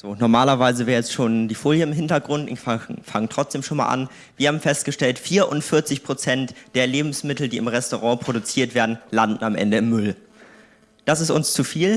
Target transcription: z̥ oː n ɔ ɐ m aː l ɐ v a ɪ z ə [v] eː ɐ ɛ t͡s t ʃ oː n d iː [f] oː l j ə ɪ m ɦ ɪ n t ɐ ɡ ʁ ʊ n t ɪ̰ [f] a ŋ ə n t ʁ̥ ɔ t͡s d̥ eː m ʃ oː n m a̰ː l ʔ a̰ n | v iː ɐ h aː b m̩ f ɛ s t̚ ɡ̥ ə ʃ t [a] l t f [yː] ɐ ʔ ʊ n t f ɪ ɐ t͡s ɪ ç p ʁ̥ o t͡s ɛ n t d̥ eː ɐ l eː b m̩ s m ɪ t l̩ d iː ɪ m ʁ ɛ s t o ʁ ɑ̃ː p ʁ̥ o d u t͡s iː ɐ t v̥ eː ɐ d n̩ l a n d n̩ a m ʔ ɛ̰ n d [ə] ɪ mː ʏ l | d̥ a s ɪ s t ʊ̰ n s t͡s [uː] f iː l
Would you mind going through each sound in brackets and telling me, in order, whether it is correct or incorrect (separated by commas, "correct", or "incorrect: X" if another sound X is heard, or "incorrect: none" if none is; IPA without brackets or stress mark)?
correct, correct, correct, incorrect: ɛ, incorrect: iː, correct, incorrect: u